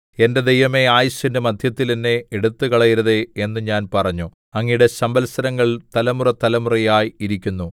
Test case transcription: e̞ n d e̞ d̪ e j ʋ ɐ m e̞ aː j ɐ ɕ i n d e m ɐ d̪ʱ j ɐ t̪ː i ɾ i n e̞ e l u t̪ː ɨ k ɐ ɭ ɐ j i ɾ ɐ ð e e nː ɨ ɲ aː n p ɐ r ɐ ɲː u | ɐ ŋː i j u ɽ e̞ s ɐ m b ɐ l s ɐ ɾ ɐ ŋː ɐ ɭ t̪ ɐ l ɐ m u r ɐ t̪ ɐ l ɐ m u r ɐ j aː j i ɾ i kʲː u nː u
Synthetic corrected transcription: e̞ n d e̞ d̪ e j ʋ ɐ m e̞ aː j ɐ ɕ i n d e m ɐ d̪ʱ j ɐ t̪ː i l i nː e̞ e ɽ u t̪ː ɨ k ɐ ɭ ɐ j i ɾ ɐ ð e e nː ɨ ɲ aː n p ɐ r ɐ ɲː u | ɐ ŋː i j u ɽ e̞ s ɐ m b ɐ l s ɐ ɾ ɐ ŋː ɐ ɭ t̪ ɐ l ɐ m u r ɐ t̪ ɐ l ɐ m u r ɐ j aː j i ɾ i kʲː u nː u

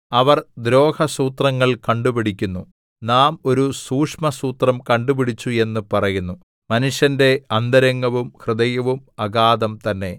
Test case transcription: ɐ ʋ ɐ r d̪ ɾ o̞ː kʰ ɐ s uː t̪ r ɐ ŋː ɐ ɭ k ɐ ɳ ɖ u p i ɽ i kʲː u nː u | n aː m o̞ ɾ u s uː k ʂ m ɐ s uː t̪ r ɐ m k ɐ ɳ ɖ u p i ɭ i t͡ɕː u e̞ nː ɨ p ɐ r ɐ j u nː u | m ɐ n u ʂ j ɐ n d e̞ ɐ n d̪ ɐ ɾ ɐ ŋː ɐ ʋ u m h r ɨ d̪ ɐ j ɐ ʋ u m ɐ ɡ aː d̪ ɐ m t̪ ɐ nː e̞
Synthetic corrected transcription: ɐ ʋ ɐ r d̪ ɾ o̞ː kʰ ɐ s uː t̪ r ɐ ŋː ɐ ɭ k ɐ ɳ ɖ u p i ɽ i kʲː u nː u | n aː m o̞ ɾ u s uː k ʂ m ɐ s uː t̪ r ɐ m k ɐ ɳ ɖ u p i ɽ i t͡ɕː u e̞ nː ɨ p ɐ r ɐ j u nː u | m ɐ n u ʂ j ɐ n d e̞ ɐ n d̪ ɐ ɾ ɐ ŋː ɐ ʋ u m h r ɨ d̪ ɐ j ɐ ʋ u m ɐ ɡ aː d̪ ɐ m t̪ ɐ nː e̞

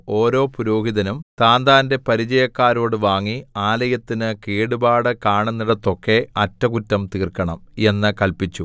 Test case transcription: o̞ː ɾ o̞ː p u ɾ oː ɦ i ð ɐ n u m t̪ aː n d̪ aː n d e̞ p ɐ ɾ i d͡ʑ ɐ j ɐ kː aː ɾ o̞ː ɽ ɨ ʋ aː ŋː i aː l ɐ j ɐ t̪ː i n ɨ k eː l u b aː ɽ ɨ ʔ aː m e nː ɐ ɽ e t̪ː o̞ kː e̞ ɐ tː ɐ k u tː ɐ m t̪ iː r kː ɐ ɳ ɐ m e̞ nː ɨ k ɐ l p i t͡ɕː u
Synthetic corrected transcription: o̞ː ɾ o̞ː p u ɾ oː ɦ i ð ɐ n u m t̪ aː n d̪ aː n d e̞ p ɐ ɾ i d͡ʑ ɐ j ɐ kː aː ɾ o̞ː ɽ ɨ ʋ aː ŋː i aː l ɐ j ɐ t̪ː i n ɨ k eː ɽ u b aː ɽ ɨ k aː ɳ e nː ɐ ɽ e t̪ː o̞ kː e̞ ɐ tː ɐ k u tː ɐ m t̪ iː r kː ɐ ɳ ɐ m e̞ nː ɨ k ɐ l p i t͡ɕː u

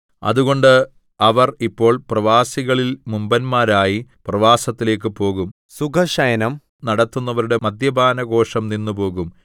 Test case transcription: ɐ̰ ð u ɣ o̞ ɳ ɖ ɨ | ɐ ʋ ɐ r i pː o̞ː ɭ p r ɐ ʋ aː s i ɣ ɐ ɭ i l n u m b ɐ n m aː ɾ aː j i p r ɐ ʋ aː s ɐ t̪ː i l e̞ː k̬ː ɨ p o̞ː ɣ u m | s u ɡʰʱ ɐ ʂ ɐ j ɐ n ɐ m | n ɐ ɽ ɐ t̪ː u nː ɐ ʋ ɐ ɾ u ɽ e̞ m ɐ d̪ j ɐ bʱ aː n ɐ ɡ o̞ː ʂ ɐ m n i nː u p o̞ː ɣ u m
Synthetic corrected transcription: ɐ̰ ð u ɣ o̞ ɳ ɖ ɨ | ɐ ʋ ɐ r i pː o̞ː ɭ p r ɐ ʋ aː s i ɣ ɐ ɭ i l m u m b ɐ n m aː ɾ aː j i p r ɐ ʋ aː s ɐ t̪ː i l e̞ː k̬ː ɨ p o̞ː ɣ u m | s u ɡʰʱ ɐ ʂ ɐ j ɐ n ɐ m | n ɐ ɽ ɐ t̪ː u nː ɐ ʋ ɐ ɾ u ɽ e̞ m ɐ d̪ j ɐ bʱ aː n ɐ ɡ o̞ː ʂ ɐ m n i nː u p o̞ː ɣ u m

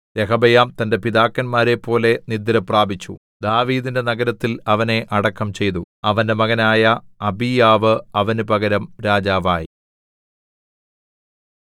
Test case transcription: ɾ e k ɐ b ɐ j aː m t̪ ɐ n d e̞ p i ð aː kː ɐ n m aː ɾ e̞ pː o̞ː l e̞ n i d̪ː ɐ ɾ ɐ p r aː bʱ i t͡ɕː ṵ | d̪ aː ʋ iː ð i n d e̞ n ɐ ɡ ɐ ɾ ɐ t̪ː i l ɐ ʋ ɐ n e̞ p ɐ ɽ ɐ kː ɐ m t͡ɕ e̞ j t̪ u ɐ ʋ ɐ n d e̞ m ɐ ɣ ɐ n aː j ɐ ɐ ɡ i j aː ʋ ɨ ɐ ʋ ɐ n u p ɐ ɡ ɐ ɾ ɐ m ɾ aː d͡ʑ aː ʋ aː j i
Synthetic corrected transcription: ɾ e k ɐ b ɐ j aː m t̪ ɐ n d e̞ p i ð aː kː ɐ n m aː ɾ e̞ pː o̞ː l e̞ n i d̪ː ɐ ɾ ɐ p r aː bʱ i t͡ɕː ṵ | d̪ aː ʋ iː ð i n d e̞ n ɐ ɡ ɐ ɾ ɐ t̪ː i l ɐ ʋ ɐ n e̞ ʔ ɐ ɽ ɐ kː ɐ m t͡ɕ e̞ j t̪ u ɐ ʋ ɐ n d e̞ m ɐ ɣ ɐ n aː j ɐ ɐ b i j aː ʋ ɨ ɐ ʋ ɐ n u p ɐ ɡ ɐ ɾ ɐ m ɾ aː d͡ʑ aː ʋ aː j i

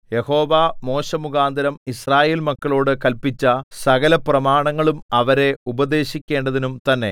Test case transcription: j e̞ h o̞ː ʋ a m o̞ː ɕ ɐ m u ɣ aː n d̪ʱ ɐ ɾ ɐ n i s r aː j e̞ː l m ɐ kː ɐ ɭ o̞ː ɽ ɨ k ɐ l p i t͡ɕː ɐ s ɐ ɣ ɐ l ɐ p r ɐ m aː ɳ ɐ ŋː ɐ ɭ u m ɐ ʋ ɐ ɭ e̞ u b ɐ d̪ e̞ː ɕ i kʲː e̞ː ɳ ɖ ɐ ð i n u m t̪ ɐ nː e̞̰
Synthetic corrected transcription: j e̞ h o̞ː ʋ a m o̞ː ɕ ɐ m u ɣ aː n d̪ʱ ɐ ɾ ɐ m i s r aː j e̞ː l m ɐ kː ɐ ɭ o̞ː ɽ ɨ k ɐ l p i t͡ɕː ɐ s ɐ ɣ ɐ l ɐ p r ɐ m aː ɳ ɐ ŋː ɐ ɭ u m ɐ ʋ ɐ ɾ e̞ u b ɐ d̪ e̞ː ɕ i kʲː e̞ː ɳ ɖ ɐ ð i n u m t̪ ɐ nː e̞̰

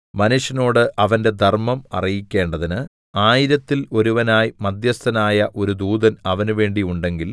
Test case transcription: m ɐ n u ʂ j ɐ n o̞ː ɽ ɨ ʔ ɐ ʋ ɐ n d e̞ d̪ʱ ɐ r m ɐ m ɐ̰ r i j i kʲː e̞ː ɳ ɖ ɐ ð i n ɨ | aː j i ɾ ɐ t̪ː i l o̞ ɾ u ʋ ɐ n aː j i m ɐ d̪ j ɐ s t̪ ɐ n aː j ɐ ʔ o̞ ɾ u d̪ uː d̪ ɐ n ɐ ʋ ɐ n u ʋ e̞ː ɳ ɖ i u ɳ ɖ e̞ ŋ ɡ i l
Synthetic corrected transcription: m ɐ n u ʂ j ɐ n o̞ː ɽ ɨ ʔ ɐ ʋ ɐ n d e̞ d̪ʱ ɐ r m ɐ m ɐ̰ r i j i kʲː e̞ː ɳ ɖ ɐ ð i n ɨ | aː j i ɾ ɐ t̪ː i l o̞ ɾ u ʋ ɐ n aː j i m ɐ d̪ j ɐ s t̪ ɐ n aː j ɐ ʔ o̞ ɾ u d̪ uː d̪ ɐ n ɐ ʋ ɐ n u ʋ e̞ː ɳ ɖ i u ɳ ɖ e̞ ŋ ɡ i l

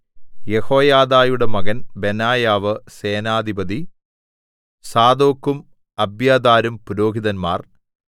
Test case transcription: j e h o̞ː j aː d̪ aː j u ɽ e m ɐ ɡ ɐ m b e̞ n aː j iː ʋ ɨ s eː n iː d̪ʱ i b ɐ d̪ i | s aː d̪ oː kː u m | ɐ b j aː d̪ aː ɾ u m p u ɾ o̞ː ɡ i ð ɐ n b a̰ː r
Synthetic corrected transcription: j e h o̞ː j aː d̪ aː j u ɽ e m ɐ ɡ ɐ n b e̞ n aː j aː ʋ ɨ s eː n aː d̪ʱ i b ɐ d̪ i | s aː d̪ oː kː u m | ɐ b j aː d̪ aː ɾ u m p u ɾ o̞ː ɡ i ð ɐ n m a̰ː r

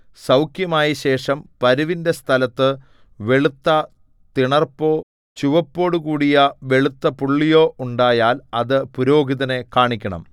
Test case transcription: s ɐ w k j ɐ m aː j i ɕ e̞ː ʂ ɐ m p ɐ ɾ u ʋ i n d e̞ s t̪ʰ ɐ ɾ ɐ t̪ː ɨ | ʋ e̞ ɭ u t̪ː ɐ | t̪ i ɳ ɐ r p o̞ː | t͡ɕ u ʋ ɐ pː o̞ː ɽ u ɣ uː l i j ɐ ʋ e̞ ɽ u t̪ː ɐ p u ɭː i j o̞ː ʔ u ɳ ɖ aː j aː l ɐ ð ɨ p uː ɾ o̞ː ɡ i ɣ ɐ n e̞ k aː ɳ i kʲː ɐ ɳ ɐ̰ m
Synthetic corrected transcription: s ɐ w k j ɐ m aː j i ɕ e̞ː ʂ ɐ m p ɐ ɾ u ʋ i n d e̞ s t̪ʰ ɐ l ɐ t̪ː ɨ | ʋ e̞ ɭ u t̪ː ɐ | t̪ i ɳ ɐ r p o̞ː | t͡ɕ u ʋ ɐ pː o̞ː ɽ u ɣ uː ɽ i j ɐ ʋ e̞ ɭ u t̪ː ɐ p u ɭː i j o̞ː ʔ u ɳ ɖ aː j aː l ɐ ð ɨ p u ɾ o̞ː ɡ i ð ɐ n e̞ k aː ɳ i kʲː ɐ ɳ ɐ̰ m

